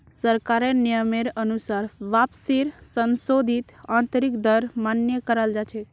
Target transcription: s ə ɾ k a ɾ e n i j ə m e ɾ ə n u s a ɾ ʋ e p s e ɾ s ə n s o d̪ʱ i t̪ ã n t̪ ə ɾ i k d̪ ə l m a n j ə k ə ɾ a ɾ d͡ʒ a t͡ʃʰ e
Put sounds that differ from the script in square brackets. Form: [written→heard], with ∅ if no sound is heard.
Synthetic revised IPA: s ə ɾ k a ɾ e n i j ə m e ɾ ə n u s a ɾ ʋ [e→a] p s [e→i] ɾ s ə n s o d̪ʱ i t̪ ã n t̪ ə ɾ i k d̪ ə [l→ɾ] m a n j ə k ə ɾ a [ɾ→l] d͡ʒ a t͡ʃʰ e

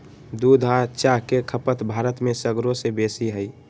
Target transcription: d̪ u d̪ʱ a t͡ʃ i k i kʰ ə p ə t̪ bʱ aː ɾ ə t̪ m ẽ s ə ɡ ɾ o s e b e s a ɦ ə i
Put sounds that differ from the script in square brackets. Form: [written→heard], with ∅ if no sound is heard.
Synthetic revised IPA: d̪ u d̪ʱ a t͡ʃ [i→a] k [i→e] kʰ ə p ə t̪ bʱ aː ɾ ə t̪ m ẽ s ə ɡ ɾ o s e b e s [a→i] ɦ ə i

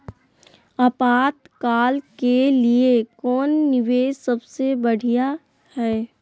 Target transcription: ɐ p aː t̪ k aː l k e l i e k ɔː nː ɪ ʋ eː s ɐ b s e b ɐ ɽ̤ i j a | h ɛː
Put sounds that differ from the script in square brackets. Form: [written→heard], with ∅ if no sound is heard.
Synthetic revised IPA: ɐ p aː t̪ k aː l k e l i e k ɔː nː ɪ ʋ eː s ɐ b s e b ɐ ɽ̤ i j a | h ɛː

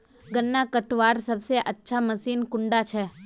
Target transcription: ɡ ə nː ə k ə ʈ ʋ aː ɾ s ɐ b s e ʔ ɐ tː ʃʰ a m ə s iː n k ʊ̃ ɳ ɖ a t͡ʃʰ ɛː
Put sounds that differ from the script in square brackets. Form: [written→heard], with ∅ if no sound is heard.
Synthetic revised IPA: ɡ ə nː [ə→a] k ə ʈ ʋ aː ɾ s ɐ b s e ʔ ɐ tː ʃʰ a m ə s iː n k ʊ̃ ɳ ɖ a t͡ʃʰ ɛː

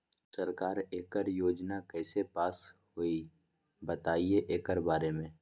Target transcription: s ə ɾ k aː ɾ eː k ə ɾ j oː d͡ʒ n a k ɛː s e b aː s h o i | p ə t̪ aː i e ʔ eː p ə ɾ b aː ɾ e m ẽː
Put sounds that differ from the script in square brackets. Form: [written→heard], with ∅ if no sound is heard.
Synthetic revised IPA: s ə ɾ k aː ɾ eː k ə ɾ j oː d͡ʒ n a k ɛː s e [b→p] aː s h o i | [p→b] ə t̪ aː i e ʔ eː [p→k] ə ɾ b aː ɾ e m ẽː

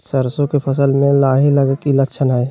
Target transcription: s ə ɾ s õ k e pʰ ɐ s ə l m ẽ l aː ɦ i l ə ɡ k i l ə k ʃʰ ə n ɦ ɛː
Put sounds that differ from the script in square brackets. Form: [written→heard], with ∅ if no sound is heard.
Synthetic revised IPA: s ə ɾ s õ k e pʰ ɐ s ə l m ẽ l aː ɦ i l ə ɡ k i l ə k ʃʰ ə n ɦ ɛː

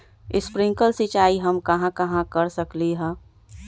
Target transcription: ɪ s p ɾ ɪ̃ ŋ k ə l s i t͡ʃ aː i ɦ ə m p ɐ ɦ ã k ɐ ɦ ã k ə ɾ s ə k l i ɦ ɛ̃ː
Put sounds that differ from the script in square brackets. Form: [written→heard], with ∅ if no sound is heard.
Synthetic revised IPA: ɪ s p ɾ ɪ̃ ŋ k ə l s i t͡ʃ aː i ɦ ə m [p→k] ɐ ɦ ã k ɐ ɦ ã k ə ɾ s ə k l i ɦ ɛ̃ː

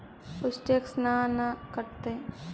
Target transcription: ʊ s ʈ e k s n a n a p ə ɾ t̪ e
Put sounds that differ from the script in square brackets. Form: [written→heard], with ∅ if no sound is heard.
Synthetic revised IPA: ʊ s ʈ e k s n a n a [p→k] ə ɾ t̪ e

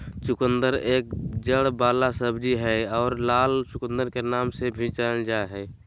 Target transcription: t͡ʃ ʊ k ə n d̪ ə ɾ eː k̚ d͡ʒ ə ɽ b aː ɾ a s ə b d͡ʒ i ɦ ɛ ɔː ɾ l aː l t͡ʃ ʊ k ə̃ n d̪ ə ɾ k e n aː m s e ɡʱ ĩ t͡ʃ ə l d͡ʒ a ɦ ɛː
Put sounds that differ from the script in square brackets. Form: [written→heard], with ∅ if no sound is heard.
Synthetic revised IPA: t͡ʃ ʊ k ə n d̪ ə ɾ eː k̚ d͡ʒ ə ɽ b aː [ɾ→l] a s ə b d͡ʒ i ɦ ɛ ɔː ɾ l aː l t͡ʃ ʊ k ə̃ n d̪ ə ɾ k e n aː m s e [ɡʱ→bʱ] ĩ t͡ʃ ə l d͡ʒ a ɦ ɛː

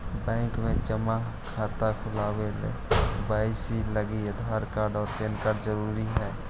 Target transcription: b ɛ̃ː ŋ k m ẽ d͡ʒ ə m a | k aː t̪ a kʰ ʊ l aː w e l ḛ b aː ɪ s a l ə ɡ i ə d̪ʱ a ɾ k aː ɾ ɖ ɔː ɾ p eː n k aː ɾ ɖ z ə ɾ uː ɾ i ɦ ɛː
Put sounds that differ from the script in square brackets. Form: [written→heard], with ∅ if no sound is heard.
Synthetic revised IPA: b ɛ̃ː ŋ k m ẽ d͡ʒ ə m a | [k→kʰ] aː t̪ a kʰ ʊ l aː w e l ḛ b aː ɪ s [a→i] l ə ɡ i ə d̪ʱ a ɾ k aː ɾ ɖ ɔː ɾ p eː n k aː ɾ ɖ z ə ɾ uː ɾ i ɦ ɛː

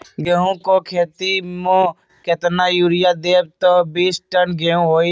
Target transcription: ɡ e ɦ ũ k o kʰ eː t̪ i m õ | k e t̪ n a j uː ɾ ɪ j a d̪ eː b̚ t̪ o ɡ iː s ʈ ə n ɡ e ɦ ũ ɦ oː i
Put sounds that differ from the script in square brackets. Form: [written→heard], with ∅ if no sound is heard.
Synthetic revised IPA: ɡ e ɦ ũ k o kʰ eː t̪ i m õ | k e t̪ n a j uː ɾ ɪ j a d̪ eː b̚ t̪ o [ɡ→b] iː s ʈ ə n ɡ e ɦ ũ ɦ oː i

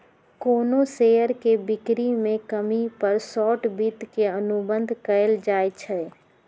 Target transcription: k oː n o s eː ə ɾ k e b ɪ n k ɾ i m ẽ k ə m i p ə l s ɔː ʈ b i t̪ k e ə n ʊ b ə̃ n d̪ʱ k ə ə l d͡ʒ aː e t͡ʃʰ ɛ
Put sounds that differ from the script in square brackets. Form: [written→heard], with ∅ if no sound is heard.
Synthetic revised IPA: k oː n o s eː ə ɾ k e b ɪ [n→∅] k ɾ i m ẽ k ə m i p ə [l→ɾ] s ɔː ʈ b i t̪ k e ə n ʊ b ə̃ n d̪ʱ k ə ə l d͡ʒ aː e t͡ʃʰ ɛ

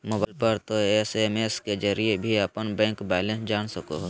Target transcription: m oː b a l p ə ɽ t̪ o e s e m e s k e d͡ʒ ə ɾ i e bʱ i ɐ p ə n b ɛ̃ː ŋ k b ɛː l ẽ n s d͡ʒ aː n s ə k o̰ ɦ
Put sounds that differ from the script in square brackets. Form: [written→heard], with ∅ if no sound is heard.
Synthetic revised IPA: m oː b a l p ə [ɽ→ɾ] t̪ o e s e m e s k e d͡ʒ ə ɾ i e bʱ i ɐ p ə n b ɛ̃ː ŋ k b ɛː l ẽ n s d͡ʒ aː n s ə k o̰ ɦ

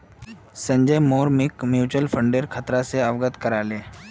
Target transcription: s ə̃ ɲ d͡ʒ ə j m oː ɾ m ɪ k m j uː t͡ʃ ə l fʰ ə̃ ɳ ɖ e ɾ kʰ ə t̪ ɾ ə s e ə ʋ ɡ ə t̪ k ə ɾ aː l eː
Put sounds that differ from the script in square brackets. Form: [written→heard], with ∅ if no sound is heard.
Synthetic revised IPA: s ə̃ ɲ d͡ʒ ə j m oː ɾ m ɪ k m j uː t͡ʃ ə l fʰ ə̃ ɳ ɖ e ɾ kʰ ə t̪ ɾ [ə→a] s e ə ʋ ɡ ə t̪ k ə ɾ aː l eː

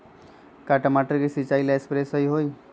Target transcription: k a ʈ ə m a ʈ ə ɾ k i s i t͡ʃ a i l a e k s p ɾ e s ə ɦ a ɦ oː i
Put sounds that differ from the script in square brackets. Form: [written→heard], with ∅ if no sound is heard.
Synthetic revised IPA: k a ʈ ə m a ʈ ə ɾ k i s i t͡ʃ a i l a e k s p ɾ e s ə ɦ [a→i] ɦ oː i

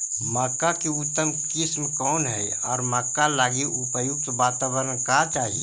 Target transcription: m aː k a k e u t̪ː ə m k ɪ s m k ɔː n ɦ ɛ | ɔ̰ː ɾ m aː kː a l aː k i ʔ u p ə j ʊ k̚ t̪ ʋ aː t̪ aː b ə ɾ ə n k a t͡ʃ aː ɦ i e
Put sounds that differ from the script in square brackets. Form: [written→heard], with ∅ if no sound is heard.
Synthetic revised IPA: m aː k a k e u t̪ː ə m k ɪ s m k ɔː n ɦ ɛ | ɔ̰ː ɾ m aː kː a l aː [k→ɡ] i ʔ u p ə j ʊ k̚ t̪ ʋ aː t̪ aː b ə ɾ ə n k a t͡ʃ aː ɦ i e

